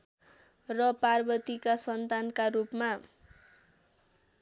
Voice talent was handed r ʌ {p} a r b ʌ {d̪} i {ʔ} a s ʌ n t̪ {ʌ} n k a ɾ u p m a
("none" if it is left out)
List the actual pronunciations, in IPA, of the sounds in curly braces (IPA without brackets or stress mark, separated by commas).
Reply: p, t̪, k, a